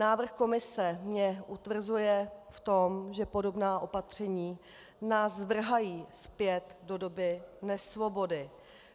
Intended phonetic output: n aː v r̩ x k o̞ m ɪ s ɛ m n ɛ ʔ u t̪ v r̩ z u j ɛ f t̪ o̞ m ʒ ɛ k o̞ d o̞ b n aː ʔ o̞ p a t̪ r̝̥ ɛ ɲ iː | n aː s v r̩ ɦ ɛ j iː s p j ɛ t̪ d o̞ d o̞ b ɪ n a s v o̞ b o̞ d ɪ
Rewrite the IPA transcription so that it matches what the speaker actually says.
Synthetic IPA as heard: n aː v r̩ x k o̞ m ɪ s ɛ m ɲ ɛ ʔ u t̪ v r̩ z u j ɛ f t̪ o̞ m ʒ ɛ p o̞ d o̞ b n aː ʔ o̞ p a t̪ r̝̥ ɛ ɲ iː | n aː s v r̩ ɦ a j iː s p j ɛ t̪ d o̞ d o̞ b ɪ n ɛ s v o̞ b o̞ d ɪ

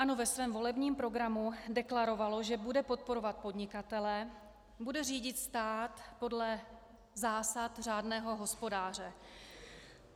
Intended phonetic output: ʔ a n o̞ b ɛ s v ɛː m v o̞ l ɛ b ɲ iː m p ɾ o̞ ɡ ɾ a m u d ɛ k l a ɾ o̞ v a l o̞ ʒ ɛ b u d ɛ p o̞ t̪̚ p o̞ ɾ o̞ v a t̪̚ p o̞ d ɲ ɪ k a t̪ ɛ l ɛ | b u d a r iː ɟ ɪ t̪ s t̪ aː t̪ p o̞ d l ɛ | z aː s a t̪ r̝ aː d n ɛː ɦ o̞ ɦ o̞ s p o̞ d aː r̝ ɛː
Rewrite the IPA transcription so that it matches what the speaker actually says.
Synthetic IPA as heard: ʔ a n o̞ v ɛ s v ɛː m v o̞ l ɛ b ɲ iː m p ɾ o̞ ɡ ɾ a m u d ɛ k l a ɾ o̞ v a l o̞ ʒ ɛ b u d ɛ p o̞ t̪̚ p o̞ ɾ o̞ v a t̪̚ p o̞ d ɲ ɪ k a t̪ ɛ l ɛ | b u d ɛ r iː ɟ ɪ t̪ s t̪ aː t̪ p o̞ d l ɛ | z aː s a t̪ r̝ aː d n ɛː ɦ o̞ ɦ o̞ s p o̞ d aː r̝ ɛ

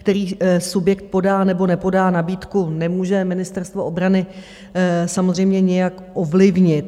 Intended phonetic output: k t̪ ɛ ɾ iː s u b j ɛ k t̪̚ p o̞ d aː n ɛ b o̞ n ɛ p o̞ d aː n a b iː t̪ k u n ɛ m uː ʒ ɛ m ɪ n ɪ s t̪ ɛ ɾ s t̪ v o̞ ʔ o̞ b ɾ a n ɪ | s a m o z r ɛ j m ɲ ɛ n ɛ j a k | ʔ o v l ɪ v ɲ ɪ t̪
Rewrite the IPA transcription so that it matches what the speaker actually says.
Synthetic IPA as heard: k t̪ ɛ ɾ iː s u b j ɛ k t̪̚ p o̞ d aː n ɛ b o̞ n ɛ p o̞ d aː n a b iː t̪ k u n ɛ m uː ʒ ɛ m ɪ n ɪ s t̪ ɛ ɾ s t̪ v o̞ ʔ o̞ b ɾ a n ɪ | s a m o z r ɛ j m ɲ ɛ ɲ ɛ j a k | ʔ o v l ɪ v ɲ ɪ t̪

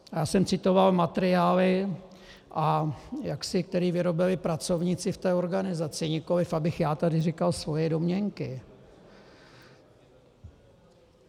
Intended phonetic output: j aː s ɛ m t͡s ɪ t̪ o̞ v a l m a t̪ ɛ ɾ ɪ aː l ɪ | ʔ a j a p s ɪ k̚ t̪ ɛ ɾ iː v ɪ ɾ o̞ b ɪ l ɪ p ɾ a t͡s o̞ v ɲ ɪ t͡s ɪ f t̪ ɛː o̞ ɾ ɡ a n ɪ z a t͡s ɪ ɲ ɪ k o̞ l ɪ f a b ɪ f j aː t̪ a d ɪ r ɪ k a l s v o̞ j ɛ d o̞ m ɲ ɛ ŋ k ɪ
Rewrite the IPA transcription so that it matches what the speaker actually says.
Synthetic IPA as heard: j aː s ɛ m t͡s ɪ t̪ o̞ v a l m a t̪ ɛ ɾ ɪ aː l ɪ | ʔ a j a k s ɪ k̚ t̪ ɛ ɾ iː v ɪ ɾ o̞ b ɪ l ɪ p ɾ a t͡s o̞ v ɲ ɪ t͡s ɪ f t̪ ɛː o̞ ɾ ɡ a n ɪ z a t͡s ɪ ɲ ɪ k o̞ l ɪ f a b ɪ x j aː t̪ a d ɪ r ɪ k a l s v o̞ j ɛ d o̞ m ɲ ɛ ŋ k ɪ

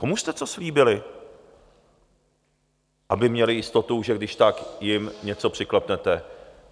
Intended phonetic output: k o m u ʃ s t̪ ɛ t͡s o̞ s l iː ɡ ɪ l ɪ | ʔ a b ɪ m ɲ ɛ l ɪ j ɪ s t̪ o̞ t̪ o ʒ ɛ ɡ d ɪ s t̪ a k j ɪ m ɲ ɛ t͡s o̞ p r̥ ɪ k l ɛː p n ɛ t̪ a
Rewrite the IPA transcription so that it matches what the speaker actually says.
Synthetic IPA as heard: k o m u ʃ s t̪ ɛ t͡s o̞ s l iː b ɪ l ɪ | ʔ a b ɪ m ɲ ɛ l ɪ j ɪ s t̪ o̞ t̪ u ʒ ɛ ɡ d ɪ ʃ t̪ a k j ɪ m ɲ ɛ t͡s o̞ p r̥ ɪ k l ɛ p n ɛ t̪ ɛ

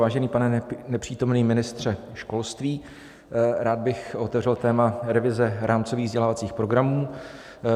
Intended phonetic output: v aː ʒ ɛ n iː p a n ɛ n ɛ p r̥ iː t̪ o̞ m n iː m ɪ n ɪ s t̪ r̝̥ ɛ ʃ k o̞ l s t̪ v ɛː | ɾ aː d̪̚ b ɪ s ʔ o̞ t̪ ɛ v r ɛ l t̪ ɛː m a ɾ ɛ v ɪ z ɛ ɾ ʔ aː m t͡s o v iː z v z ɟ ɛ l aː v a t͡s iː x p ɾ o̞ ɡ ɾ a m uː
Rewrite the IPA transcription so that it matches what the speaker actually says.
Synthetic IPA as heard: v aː ʒ ɛ n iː p a n ɛ n ɛ p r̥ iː t̪ o̞ m n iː m ɪ n ɪ s t̪ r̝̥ ɛ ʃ k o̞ l s t̪ v iː | ɾ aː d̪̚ b ɪ x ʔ o̞ t̪ ɛ v r ɛ l t̪ ɛː m a ɾ ɛ v ɪ z ɛ ɾ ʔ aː m t͡s o v iː ɣ v z ɟ ɛ l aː v a t͡s iː x p ɾ o̞ ɡ ɾ a m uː

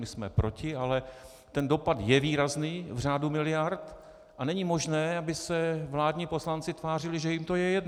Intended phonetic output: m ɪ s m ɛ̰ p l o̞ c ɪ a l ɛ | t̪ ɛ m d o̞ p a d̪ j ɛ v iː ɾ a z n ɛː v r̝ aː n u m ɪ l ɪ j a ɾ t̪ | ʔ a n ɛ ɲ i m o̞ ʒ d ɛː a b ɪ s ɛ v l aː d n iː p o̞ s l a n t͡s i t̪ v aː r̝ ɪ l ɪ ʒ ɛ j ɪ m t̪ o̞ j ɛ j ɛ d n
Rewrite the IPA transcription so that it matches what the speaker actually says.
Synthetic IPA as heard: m ɪ s m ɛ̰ p ɾ o̞ c ɪ a l ɛ | t̪ ɛ n d o̞ p a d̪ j ɛ v iː ɾ a z n iː v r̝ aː d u m ɪ l ɪ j a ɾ t̪ | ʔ a n ɛ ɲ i m o̞ ʒ n ɛː a b ɪ s ɛ v l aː d ɲ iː p o̞ s l a n t͡s ɪ t̪ v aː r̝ ɪ l ɪ ʒ ɛ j ɪ m t̪ o̞ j ɛ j ɛ d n

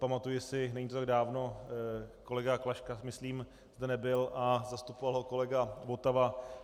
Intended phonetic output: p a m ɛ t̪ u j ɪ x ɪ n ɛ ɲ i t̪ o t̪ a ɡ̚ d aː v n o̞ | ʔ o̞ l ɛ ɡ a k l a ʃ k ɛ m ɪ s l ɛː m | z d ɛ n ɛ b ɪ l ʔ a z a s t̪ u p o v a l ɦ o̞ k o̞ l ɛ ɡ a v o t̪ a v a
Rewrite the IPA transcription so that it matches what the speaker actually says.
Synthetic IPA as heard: p a m a t̪ u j ɪ s ɪ n ɛ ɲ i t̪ o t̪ a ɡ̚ d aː v n o̞ | k o̞ l ɛ ɡ a k l a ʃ k a m ɪ s l iː m | z d ɛ n ɛ b ɪ l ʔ a z a s t̪ u p o v a l ɦ o̞ k o̞ l ɛ ɡ a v o t̪ a v a

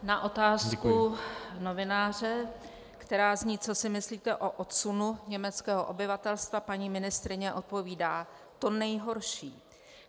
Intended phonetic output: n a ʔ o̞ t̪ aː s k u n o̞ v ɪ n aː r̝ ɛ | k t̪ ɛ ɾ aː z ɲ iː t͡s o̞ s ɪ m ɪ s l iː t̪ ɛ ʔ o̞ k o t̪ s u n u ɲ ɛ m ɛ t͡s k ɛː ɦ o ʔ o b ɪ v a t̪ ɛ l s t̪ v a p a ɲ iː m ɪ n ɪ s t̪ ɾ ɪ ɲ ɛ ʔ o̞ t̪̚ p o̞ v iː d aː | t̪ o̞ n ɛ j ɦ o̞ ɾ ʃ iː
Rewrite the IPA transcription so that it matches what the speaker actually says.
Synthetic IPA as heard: n a ʔ o̞ t̪ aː s k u n o̞ v ɪ n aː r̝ ɛ | k t̪ ɛ ɾ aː z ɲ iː t͡s o̞ s ɪ m ɪ s l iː t̪ ɛ ʔ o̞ ʔ o t̪ s u n u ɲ ɛ m ɛ t͡s k ɛː ɦ o ʔ o b ɪ v a t̪ ɛ l s t̪ v a p a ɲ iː m ɪ n ɪ s t̪ ɾ ɪ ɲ ɛ ʔ o̞ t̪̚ p o̞ v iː d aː | t̪ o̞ n ɛ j ɦ o̞ ɾ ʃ iː

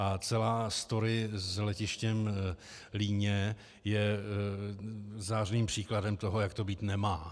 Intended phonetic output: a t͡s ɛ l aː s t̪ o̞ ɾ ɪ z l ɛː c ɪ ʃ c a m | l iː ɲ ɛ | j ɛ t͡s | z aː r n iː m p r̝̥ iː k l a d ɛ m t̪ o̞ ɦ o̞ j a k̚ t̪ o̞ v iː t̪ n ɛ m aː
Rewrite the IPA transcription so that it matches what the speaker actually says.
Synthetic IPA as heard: a t͡s ɛ l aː s t̪ o̞ ɾ ɪ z l ɛ c ɪ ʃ c ɛ m | l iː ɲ ɛ | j ɛ | z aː r n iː m p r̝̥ iː k l a d ɛ m t̪ o̞ ɦ o̞ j a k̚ t̪ o̞ b iː t̪ n ɛ m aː

